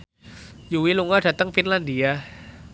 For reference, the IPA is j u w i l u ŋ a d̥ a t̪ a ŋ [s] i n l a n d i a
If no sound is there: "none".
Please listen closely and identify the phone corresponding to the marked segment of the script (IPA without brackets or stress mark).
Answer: f